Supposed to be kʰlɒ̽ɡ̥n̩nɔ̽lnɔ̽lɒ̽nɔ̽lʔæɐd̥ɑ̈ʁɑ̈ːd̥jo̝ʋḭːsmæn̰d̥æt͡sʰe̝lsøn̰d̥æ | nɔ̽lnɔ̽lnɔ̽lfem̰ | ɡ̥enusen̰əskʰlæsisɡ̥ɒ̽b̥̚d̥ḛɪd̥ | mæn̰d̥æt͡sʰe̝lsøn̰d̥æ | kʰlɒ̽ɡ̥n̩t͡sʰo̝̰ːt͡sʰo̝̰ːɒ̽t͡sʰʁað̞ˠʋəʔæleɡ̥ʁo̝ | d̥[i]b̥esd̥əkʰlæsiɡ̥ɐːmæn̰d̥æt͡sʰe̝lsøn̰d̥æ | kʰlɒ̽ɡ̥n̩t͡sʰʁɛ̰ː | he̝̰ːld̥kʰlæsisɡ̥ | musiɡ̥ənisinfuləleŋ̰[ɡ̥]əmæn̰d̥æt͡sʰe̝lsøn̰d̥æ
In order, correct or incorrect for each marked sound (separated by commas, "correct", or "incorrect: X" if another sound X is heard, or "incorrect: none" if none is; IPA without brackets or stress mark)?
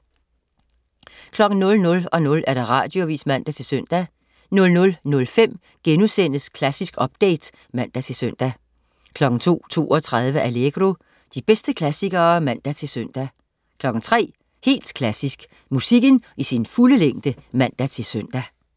correct, incorrect: d̥